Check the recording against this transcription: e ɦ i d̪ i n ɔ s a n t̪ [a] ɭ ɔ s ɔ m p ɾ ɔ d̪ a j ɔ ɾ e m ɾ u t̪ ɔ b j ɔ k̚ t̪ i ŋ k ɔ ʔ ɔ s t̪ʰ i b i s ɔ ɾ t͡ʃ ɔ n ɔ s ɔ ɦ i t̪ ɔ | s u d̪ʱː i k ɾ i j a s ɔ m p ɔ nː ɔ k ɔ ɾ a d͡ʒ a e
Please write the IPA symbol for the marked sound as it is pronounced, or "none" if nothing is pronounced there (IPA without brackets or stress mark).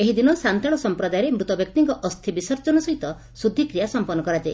a